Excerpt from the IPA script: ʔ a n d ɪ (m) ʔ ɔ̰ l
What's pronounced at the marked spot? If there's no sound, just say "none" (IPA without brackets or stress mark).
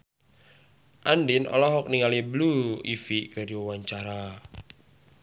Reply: n